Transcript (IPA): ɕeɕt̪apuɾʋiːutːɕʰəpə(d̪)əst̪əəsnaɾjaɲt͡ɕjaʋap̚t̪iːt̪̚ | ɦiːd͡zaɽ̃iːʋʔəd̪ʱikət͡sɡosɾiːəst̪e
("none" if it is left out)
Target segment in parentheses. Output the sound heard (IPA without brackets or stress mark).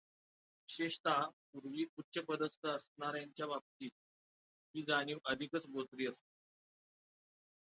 d̪